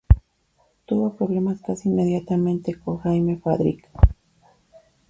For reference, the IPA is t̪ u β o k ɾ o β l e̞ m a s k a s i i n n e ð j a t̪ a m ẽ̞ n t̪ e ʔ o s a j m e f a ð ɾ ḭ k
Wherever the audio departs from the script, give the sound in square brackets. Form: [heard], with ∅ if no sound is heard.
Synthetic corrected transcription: t̪ u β o [p] ɾ o β l e̞ m a s k a s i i n [m] e ð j a t̪ a m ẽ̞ n t̪ e [k] o [x] a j m e f a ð ɾ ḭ k